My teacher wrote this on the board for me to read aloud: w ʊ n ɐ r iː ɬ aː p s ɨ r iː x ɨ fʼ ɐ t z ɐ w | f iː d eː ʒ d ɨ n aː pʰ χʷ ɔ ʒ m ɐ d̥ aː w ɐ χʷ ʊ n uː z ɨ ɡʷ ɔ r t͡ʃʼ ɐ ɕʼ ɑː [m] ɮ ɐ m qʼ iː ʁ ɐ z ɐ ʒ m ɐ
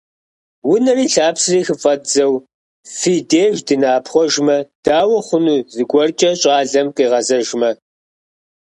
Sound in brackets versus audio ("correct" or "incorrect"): incorrect